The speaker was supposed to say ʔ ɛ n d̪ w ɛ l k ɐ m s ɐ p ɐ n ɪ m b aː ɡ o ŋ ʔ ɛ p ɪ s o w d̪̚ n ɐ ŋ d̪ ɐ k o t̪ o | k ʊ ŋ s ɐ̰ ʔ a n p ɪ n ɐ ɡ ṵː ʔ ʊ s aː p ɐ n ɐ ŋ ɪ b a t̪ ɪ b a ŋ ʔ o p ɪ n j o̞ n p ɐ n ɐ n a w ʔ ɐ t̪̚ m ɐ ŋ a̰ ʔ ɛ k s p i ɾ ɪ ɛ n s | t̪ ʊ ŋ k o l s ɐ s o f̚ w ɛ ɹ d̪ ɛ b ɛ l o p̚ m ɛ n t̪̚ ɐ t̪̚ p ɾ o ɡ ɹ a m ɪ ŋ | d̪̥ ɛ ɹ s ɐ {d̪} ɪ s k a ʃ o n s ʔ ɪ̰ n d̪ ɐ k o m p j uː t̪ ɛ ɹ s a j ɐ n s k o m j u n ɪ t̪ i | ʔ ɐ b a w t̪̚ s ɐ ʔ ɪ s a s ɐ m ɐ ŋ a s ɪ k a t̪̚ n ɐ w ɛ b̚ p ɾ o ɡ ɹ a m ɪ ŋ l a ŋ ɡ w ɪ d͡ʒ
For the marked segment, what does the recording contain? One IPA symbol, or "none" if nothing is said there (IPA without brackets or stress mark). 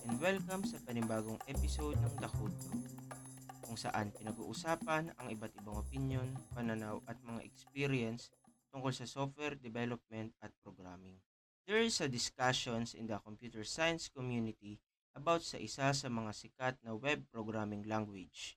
d̪